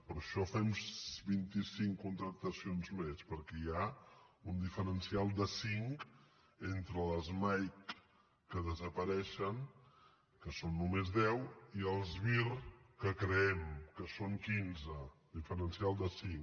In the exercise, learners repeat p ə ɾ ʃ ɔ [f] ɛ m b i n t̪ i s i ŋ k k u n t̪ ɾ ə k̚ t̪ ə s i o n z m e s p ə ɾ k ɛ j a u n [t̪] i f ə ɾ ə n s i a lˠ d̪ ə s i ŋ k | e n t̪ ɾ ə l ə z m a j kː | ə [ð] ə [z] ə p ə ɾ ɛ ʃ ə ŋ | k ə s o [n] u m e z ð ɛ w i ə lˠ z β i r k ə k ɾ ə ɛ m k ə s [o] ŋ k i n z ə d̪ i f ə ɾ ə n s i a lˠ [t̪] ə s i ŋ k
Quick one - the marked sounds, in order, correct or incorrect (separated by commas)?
correct, incorrect, correct, correct, incorrect, correct, incorrect